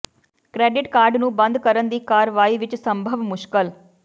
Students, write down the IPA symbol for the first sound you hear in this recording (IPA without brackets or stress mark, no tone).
k